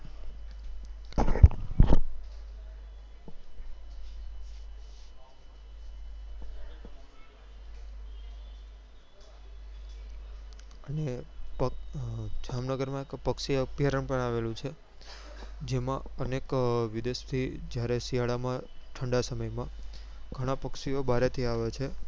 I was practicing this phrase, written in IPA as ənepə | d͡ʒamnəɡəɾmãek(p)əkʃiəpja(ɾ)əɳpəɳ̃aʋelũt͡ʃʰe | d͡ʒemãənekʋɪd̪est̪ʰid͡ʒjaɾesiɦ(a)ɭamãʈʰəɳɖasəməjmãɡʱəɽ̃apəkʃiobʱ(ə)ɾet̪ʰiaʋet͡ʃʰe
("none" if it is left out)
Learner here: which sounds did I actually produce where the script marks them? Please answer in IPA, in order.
p, ɾ, a, a

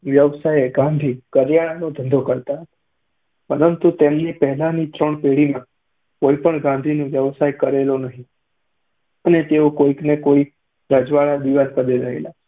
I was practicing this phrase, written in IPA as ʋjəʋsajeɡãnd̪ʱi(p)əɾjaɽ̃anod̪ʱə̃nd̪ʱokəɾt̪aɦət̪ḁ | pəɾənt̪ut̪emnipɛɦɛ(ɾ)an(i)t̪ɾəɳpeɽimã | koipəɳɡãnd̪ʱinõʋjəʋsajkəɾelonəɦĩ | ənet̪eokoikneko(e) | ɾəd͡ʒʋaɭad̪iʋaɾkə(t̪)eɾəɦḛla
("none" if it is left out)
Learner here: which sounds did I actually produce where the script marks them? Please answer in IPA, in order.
k, l, i, i, d̪

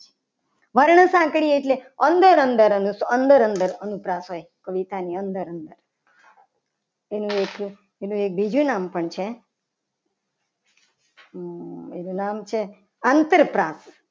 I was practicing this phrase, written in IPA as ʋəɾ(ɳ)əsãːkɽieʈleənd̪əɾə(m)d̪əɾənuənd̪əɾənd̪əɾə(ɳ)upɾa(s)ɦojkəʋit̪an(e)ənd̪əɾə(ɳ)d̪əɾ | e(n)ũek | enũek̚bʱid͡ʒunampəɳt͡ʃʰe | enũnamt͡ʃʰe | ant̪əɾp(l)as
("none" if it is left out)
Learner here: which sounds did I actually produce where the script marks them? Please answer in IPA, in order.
ɳ, n, n, s, i, n, n, ɾ

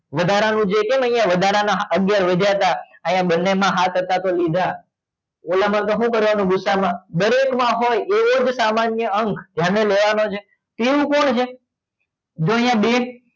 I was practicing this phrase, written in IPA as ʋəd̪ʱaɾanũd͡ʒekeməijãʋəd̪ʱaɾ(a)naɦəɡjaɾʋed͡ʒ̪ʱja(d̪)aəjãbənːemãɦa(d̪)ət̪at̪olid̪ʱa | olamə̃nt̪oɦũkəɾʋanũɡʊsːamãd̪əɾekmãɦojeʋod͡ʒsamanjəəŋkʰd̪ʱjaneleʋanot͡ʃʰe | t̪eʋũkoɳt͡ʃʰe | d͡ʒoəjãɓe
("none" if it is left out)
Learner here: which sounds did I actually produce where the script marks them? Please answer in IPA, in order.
a, t̪, t̪

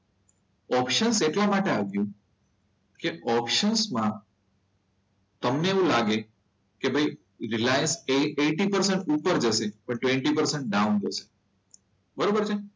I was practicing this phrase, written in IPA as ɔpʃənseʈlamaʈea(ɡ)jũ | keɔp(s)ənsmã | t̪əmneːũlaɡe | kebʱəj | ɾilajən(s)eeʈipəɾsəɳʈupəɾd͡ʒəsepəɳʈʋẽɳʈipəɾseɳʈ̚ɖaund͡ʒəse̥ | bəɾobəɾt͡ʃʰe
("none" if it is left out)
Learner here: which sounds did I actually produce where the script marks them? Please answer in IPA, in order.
ɡ, ʃ, s

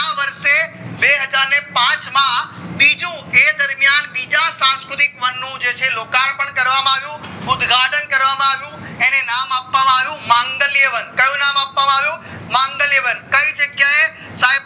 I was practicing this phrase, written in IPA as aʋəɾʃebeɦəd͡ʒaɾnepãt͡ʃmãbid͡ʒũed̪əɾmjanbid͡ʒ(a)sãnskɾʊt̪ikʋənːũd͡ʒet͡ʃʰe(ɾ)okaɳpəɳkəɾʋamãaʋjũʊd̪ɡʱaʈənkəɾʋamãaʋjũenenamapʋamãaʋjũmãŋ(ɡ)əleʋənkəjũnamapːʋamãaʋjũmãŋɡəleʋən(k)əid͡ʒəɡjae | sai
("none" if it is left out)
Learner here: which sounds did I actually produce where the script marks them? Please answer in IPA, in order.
a, l, ɡ, k

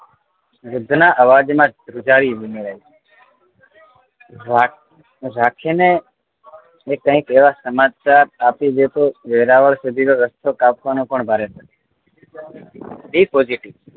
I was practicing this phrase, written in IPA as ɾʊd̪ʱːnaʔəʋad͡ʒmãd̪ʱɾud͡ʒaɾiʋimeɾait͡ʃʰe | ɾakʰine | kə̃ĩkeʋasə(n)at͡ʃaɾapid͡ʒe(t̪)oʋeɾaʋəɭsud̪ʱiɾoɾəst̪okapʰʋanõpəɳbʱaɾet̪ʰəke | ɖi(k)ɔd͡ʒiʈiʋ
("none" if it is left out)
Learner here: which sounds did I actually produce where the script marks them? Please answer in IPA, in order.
m, t̪, p

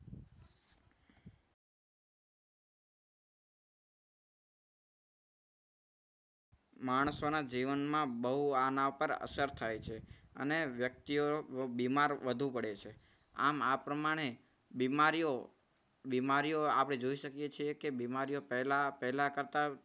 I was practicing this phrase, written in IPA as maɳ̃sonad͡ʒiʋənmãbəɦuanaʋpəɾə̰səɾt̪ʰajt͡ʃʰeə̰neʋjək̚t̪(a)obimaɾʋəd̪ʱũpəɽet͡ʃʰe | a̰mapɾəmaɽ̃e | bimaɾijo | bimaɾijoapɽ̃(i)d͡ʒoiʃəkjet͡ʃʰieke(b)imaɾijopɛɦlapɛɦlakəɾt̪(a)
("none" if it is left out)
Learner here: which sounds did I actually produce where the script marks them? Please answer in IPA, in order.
i, e, b, a

